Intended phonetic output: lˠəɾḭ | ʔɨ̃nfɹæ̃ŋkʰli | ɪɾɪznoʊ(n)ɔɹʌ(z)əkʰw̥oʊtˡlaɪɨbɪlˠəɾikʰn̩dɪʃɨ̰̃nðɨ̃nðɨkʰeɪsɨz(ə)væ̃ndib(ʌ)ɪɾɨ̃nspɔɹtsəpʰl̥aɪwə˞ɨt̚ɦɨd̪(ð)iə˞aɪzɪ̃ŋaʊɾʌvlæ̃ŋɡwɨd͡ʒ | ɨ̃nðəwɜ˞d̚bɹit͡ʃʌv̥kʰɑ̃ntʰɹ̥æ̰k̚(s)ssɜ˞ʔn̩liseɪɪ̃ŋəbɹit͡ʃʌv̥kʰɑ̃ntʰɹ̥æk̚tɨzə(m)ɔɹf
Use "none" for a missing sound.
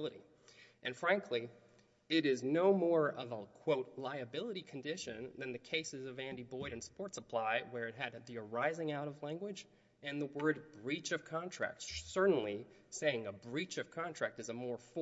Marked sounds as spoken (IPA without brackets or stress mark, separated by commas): m, v, ʌ, ɔ, ð, t, m